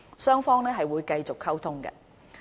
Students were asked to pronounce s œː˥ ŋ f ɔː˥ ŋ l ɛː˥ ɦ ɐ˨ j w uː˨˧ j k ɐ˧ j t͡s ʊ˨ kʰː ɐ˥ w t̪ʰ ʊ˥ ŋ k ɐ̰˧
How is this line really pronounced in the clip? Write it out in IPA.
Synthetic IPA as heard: s œː˥ ŋ f ɔː˥ ŋ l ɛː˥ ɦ ɐ˨ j w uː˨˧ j k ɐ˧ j t͡s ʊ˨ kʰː ɐ˥ w t̪ʰ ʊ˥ ŋ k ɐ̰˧